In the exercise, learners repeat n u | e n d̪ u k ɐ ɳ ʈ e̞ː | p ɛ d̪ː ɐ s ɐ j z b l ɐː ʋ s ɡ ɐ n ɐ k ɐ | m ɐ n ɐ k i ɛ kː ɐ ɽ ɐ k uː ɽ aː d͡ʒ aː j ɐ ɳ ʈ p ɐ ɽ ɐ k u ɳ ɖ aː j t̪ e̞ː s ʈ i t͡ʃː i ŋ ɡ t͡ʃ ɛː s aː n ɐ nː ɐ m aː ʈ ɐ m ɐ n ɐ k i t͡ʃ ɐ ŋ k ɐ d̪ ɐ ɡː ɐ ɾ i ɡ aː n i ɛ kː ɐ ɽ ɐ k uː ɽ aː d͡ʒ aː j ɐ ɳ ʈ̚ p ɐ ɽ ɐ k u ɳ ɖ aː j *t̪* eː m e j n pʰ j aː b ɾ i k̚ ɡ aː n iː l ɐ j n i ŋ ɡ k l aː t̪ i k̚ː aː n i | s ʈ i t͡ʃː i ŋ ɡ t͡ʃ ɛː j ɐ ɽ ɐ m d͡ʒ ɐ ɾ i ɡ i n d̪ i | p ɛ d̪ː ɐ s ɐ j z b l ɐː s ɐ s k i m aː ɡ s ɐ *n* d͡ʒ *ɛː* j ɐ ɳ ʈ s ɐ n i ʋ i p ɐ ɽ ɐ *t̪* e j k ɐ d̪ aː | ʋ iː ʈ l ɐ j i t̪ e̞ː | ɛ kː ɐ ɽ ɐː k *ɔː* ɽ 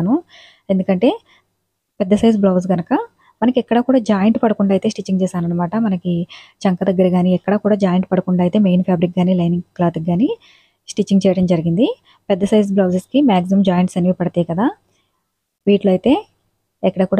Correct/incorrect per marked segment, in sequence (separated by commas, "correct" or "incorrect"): correct, incorrect, incorrect, correct, incorrect